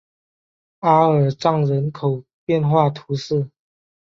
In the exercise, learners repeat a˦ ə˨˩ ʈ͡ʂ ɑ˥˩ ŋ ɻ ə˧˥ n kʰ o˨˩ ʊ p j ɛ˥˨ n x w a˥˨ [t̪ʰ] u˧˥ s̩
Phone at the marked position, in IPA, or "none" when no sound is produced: t̪ʰ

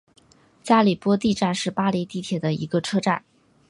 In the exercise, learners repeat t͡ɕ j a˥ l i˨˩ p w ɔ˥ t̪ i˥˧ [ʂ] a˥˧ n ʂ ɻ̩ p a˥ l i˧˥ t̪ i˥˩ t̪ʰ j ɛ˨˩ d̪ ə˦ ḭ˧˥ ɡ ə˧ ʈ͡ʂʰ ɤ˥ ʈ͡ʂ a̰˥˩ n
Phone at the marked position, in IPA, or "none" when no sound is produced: ʈ͡ʂ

